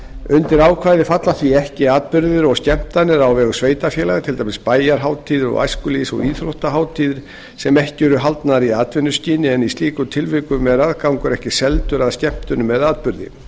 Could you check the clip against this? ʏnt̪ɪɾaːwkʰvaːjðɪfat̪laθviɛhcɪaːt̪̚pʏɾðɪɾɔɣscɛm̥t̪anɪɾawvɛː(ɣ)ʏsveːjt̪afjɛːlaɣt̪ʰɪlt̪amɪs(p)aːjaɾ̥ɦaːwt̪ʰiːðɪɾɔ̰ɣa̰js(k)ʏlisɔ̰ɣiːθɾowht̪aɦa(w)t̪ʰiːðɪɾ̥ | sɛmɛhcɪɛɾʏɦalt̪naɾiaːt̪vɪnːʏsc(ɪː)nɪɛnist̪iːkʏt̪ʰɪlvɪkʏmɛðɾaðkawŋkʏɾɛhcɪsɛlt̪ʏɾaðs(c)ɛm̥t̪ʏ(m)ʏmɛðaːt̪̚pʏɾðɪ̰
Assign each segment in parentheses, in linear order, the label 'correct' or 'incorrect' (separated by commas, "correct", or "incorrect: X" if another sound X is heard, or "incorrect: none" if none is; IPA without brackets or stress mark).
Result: correct, correct, correct, correct, incorrect: iː, correct, incorrect: n